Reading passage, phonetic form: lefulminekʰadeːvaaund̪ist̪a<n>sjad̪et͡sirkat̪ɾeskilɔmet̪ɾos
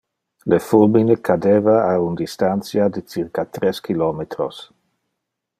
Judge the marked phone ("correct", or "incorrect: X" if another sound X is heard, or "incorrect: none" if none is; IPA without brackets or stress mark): correct